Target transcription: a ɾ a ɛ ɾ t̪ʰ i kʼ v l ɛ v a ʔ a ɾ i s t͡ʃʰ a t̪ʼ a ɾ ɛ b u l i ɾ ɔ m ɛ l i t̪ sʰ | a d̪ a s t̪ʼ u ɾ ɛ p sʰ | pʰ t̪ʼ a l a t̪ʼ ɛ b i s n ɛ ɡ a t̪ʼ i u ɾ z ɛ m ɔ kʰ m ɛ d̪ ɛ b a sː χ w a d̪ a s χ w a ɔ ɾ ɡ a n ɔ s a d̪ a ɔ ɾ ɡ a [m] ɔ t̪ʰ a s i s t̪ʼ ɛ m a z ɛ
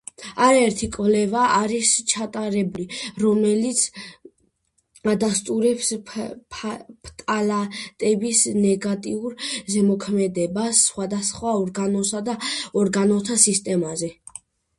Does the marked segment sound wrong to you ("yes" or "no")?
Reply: yes